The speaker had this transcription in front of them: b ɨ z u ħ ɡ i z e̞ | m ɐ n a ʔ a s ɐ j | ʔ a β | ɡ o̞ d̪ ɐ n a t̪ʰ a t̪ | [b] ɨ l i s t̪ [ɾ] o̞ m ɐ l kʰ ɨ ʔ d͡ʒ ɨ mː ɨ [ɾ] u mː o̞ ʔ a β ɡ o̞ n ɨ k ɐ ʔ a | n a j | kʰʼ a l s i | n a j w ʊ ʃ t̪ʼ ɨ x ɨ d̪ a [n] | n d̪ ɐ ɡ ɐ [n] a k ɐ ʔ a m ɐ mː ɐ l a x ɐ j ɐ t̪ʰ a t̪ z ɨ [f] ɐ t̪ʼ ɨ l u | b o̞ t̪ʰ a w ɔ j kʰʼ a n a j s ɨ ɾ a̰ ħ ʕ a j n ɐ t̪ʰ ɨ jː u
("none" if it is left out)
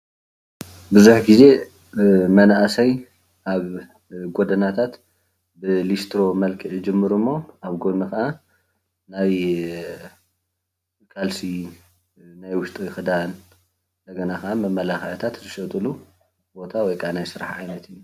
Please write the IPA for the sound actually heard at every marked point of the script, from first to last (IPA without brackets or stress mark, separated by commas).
b, ɾ, ɾ, n, n, ʃ